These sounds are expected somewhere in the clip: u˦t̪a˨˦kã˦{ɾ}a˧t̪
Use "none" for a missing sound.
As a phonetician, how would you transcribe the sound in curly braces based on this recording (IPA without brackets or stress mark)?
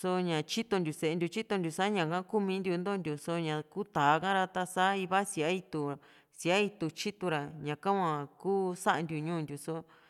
ɾ